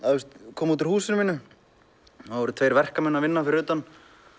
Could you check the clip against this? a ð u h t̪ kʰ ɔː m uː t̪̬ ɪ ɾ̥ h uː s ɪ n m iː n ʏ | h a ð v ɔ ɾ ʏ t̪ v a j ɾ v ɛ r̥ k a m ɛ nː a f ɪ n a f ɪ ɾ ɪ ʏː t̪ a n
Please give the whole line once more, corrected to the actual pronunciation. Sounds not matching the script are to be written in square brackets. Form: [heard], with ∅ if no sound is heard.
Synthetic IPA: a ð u [s] t̪ kʰ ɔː m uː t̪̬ ɪ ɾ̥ h uː s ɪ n m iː n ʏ | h a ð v ɔ ɾ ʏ [t̪ʰ] v [e] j ɾ v ɛ r̥ k a m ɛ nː a [v] ɪ [nː] a f ɪ ɾ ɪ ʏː t̪ a n

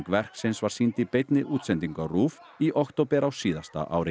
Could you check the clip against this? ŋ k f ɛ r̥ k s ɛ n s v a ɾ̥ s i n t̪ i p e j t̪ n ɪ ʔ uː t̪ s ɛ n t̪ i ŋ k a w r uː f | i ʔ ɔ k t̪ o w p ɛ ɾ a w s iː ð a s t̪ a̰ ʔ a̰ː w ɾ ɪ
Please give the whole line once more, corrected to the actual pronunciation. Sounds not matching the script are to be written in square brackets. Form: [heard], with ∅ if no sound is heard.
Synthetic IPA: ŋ k [v] ɛ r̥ k s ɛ n s v a ɾ̥ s i n t̪ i p e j t̪ n ɪ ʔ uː t̪ s ɛ n t̪ i ŋ k a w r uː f | i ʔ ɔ k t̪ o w p ɛ ɾ a w s iː ð a s t̪ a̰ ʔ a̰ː w ɾ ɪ

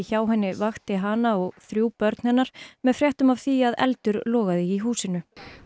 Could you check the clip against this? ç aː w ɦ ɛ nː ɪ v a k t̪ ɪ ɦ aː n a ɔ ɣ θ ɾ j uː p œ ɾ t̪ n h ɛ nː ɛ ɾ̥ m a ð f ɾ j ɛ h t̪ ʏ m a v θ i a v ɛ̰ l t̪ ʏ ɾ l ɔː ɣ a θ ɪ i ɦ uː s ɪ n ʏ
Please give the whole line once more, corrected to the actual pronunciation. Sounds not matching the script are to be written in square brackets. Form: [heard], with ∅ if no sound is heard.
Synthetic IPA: ç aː w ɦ ɛ nː ɪ v a [x] t̪ ɪ ɦ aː n a ɔ ɣ θ ɾ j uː p œ ɾ t̪ n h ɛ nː [a] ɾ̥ m [ɛ] ð f ɾ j ɛ h t̪ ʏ m a v θ i a [ð] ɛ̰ l t̪ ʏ ɾ l ɔː ɣ a [ð] ɪ i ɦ uː s ɪ n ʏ

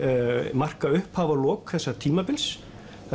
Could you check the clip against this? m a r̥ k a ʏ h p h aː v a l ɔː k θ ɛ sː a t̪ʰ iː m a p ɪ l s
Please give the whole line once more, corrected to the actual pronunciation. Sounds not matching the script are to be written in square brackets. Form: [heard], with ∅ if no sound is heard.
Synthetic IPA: m a r̥ k a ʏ h p h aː v a l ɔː k θ ɛ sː a t̪ʰ iː m a p ɪ l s

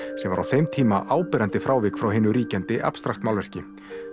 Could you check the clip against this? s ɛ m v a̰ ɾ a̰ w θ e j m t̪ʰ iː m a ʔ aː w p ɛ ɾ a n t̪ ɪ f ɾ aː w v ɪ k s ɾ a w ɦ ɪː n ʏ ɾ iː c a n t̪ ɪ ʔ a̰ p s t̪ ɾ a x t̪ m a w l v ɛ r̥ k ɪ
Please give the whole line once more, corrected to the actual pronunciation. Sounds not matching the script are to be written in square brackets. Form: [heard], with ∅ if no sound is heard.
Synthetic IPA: s ɛ m v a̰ ɾ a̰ w θ e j m t̪ʰ iː m a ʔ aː w p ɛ ɾ a n t̪ ɪ f ɾ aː w v ɪ k [f] ɾ a w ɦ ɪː n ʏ ɾ iː c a n t̪ ɪ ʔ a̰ p s t̪ ɾ a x t̪ m a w l v ɛ r̥ [c] ɪ

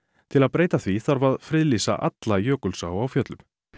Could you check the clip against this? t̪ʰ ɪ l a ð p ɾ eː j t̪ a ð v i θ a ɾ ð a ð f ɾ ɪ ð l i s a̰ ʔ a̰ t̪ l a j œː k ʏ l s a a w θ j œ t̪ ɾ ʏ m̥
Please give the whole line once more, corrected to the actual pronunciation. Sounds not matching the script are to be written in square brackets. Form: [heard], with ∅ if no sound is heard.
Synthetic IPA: t̪ʰ ɪ l a ð p ɾ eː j t̪ a [θ] v i θ a ɾ [v] a ð f ɾ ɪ ð l i s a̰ ʔ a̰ t̪ l a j œː k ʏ l s a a w [f] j œ t̪ [l] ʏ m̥

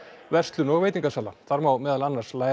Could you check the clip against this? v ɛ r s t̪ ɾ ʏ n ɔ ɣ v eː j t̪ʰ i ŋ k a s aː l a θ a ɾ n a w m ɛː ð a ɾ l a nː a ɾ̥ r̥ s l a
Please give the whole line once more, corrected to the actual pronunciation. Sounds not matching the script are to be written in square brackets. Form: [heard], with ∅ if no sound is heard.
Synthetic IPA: v ɛ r s t̪ [l] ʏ n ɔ ɣ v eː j [t̪] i ŋ k a s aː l a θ a ɾ [m] a w m ɛː ð a [∅] l a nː a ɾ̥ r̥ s l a

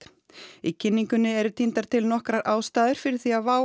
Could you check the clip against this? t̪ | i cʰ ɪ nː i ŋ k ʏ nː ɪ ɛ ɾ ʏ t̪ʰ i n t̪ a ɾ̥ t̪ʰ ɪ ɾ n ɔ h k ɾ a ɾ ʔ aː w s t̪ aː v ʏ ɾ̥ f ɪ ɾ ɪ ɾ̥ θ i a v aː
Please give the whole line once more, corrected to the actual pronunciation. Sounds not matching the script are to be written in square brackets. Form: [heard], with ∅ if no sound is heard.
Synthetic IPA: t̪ | i cʰ ɪ nː i ŋ k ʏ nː ɪ ɛ ɾ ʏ t̪ʰ i n t̪ a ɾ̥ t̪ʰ ɪ [l] n ɔ h k ɾ a ɾ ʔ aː w s t̪ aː [ð] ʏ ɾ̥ f ɪ ɾ ɪ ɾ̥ θ i a v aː

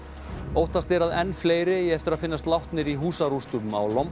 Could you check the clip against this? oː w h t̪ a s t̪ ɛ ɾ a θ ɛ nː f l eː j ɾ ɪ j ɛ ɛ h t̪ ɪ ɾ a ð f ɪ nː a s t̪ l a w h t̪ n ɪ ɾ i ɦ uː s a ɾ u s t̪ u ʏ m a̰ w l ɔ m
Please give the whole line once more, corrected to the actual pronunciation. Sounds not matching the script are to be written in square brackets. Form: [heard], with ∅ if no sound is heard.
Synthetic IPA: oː w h t̪ a s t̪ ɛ ɾ a [ð] ɛ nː f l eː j ɾ ɪ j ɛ ɛ [f] t̪ ɪ ɾ a ð f ɪ nː a s t̪ l a w h t̪ n ɪ ɾ i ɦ uː s a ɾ u s t̪ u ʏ m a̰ w l ɔ m

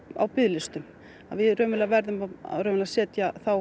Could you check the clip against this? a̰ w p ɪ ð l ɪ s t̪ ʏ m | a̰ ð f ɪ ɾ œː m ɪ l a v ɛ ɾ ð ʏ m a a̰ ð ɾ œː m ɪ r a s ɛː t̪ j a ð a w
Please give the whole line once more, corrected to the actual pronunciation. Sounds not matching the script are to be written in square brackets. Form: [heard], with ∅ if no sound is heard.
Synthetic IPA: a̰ w p ɪ ð l ɪ s t̪ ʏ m | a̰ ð [v] ɪ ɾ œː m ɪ l a v ɛ ɾ ð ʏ m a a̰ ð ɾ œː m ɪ [l] a s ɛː t̪ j a [θ] a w

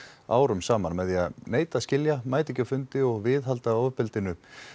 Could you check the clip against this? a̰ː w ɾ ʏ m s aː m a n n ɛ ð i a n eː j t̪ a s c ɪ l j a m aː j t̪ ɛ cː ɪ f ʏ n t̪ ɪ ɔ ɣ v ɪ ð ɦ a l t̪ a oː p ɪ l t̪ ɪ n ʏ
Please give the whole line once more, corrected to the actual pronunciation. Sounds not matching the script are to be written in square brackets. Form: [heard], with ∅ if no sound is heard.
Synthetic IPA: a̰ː w ɾ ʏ m s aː m a n [m] ɛ ð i a n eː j t̪ a s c ɪ l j a m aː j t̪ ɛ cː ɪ f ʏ n t̪ ɪ ɔ ɣ v ɪ ð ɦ a l t̪ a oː p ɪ l t̪ ɪ n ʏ

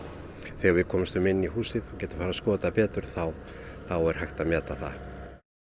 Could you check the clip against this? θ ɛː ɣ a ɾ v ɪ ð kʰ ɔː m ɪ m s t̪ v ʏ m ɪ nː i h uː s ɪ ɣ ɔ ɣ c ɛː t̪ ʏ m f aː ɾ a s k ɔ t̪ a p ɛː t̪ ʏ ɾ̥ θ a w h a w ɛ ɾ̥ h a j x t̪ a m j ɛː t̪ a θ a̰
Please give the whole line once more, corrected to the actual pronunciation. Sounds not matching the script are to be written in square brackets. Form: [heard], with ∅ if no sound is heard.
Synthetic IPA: θ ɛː ɣ a ɾ v ɪ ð kʰ ɔː m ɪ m s t̪ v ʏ m ɪ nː i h uː s ɪ [ð] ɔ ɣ c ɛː t̪ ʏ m f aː ɾ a s k [ɔː] t̪ a p ɛː t̪ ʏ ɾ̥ θ a w [θ] a w ɛ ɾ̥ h a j x t̪ a m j ɛː t̪ a θ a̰

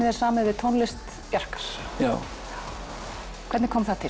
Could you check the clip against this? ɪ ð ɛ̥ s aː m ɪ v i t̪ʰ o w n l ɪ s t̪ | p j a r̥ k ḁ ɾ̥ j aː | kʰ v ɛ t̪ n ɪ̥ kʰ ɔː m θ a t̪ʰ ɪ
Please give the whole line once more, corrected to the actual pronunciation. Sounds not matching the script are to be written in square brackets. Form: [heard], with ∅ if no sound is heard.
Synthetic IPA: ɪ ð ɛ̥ s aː m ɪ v [ɪ] t̪ʰ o w n l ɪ s t̪ | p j a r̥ k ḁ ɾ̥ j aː | kʰ v ɛ t̪ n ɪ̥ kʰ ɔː m θ a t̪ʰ ɪ

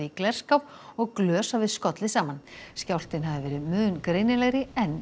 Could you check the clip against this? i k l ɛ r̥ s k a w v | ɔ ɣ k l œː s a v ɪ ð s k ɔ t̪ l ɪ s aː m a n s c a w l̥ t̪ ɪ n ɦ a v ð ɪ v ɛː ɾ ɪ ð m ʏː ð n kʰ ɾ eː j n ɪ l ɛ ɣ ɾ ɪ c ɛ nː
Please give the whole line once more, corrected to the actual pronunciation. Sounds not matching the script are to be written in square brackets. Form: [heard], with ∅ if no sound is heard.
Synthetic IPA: i k l ɛ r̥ s k a w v | ɔ ɣ k l œː s a v ɪ ð s k ɔ t̪ l ɪ s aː m a n s c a w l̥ t̪ ɪ n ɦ a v ð ɪ v ɛː ɾ ɪ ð m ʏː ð n [k] ɾ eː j n ɪ l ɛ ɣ ɾ ɪ [∅] ɛ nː

